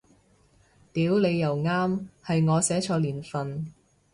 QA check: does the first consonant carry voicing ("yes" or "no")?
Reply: no